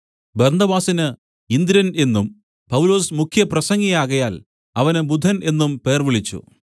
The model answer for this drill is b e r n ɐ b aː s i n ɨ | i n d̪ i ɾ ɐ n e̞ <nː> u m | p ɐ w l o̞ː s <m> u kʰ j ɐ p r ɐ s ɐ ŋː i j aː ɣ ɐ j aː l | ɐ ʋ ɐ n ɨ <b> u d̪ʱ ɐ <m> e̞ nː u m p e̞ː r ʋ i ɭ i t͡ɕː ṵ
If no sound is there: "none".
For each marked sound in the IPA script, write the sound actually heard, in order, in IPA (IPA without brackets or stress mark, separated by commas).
nː, m, b, n